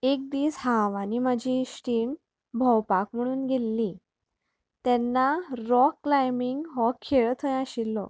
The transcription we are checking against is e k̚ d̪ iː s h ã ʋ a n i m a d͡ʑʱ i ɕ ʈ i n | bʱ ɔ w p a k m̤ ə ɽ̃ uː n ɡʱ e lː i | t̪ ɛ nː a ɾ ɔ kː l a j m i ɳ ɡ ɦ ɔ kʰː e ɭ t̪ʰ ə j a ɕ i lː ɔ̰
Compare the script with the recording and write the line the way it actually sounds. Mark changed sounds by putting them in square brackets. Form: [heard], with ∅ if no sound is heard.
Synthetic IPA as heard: e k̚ d̪ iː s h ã ʋ a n i m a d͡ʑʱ i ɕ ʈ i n | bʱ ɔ w p a k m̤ ə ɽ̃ uː n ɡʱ e lː i | t̪ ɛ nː a ɾ ɔ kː l a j m i [ŋ] ɡ ɦ ɔ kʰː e ɭ t̪ʰ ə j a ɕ i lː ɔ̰